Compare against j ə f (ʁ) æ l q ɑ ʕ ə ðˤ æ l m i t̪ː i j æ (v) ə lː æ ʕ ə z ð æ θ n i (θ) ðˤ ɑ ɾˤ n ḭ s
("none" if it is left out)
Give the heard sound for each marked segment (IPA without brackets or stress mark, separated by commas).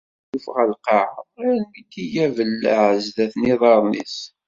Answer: ʁ, v, none